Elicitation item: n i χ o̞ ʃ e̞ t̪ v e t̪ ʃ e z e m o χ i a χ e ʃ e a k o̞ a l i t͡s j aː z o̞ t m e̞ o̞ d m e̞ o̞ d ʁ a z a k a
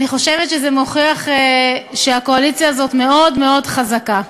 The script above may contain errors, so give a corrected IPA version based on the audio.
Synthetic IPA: n i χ o̞ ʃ e̞ v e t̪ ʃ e z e m o χ i a χ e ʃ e a k o̞ a l i t͡s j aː z o̞ t m e̞ o̞ d m e̞ o̞ d χ a z a k a